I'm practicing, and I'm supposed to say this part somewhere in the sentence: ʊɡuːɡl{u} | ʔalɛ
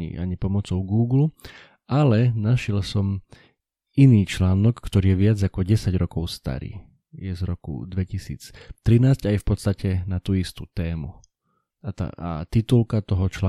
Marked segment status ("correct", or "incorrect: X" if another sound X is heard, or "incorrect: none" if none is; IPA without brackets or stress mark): correct